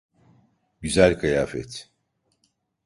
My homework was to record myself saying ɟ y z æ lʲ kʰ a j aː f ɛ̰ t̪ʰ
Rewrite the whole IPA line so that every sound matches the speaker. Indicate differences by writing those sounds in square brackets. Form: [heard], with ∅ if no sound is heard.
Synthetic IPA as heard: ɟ y z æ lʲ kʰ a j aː f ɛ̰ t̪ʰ